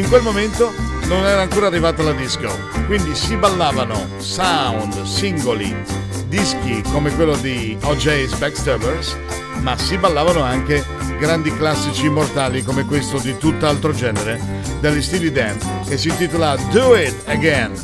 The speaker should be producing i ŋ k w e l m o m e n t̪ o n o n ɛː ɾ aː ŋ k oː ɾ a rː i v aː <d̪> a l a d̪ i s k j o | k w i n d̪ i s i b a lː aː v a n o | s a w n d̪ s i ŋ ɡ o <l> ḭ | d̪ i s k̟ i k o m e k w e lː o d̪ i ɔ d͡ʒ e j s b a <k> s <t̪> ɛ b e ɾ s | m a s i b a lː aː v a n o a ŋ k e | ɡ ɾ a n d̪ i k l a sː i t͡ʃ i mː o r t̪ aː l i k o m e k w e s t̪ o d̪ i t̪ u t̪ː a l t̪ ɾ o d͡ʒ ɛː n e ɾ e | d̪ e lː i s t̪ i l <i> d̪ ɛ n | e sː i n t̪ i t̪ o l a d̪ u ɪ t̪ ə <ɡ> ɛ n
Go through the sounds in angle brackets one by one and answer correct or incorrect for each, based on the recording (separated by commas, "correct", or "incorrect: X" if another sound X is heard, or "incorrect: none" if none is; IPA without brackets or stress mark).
incorrect: t̪, correct, correct, correct, correct, correct